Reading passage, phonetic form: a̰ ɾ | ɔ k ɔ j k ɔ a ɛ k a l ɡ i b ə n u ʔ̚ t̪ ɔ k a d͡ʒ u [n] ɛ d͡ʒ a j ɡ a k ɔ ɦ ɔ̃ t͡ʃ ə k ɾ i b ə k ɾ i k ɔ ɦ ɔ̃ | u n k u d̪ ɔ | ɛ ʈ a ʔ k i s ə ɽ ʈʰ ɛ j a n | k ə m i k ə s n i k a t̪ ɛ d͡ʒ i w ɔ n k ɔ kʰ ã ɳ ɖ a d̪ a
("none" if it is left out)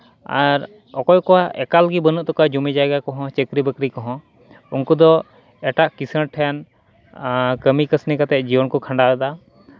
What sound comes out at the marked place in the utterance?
m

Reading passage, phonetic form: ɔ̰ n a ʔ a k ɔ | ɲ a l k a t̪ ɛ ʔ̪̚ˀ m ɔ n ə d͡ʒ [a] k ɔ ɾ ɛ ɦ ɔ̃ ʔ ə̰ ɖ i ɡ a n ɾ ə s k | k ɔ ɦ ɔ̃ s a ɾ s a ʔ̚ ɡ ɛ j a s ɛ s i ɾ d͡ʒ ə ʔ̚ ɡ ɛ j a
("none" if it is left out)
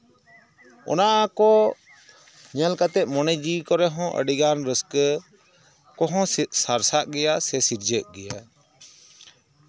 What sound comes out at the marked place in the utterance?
i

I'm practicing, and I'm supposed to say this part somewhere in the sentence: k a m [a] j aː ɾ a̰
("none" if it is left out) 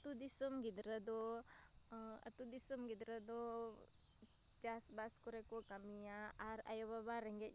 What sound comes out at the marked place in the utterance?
i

